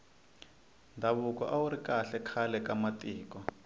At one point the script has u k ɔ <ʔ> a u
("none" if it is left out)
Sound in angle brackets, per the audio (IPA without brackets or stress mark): ʔ